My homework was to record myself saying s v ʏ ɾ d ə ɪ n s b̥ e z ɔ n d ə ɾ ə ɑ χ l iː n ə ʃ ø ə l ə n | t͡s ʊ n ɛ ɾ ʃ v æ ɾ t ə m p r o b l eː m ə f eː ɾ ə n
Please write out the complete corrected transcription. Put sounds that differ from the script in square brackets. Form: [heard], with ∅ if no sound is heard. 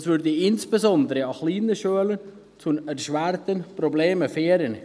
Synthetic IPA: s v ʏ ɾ d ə ɪ n s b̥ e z ɔ n d ə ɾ ə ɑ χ l iː n ə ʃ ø ə l ə n | t͡s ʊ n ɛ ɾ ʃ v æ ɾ t ə [n] p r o b l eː m ə f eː ɾ ə n